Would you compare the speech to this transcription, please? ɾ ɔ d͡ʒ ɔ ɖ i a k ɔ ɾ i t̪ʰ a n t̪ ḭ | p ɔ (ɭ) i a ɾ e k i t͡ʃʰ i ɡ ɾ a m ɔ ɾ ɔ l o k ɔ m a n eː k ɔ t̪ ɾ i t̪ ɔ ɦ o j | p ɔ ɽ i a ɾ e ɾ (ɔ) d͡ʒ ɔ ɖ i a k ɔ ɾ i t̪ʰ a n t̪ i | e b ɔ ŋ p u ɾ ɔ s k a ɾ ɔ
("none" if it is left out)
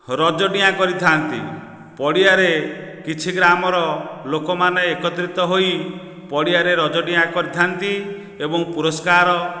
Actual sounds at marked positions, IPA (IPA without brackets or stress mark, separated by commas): ɽ, ɔ